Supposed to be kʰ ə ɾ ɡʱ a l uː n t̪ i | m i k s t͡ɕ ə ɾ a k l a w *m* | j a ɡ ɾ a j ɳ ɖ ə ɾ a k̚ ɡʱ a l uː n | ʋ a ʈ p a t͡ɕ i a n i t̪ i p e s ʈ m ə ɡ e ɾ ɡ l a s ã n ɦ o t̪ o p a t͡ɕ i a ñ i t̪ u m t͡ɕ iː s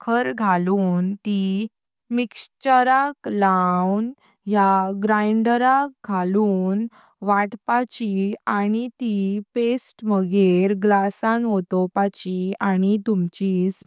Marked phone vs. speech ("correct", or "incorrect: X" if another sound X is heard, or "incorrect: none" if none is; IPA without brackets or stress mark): incorrect: n